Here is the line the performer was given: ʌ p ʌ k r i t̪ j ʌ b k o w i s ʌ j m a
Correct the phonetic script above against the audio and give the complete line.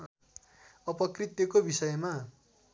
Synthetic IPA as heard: ʌ p ʌ k r i t̪ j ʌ k o b i s ʌ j m a